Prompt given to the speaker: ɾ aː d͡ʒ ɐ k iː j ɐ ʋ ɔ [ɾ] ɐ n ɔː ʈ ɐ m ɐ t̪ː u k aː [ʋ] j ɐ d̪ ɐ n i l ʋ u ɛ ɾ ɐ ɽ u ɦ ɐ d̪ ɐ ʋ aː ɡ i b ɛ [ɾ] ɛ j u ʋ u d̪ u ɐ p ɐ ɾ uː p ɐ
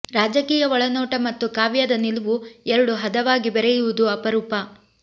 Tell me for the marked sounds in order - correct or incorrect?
incorrect, correct, correct

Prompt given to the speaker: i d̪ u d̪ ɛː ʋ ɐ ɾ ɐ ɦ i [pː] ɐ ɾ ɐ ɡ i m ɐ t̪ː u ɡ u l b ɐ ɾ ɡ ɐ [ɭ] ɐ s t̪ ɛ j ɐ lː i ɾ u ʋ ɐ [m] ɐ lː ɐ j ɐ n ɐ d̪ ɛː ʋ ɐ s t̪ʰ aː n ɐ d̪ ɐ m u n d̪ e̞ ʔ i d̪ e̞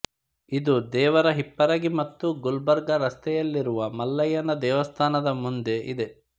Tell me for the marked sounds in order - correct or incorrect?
correct, incorrect, correct

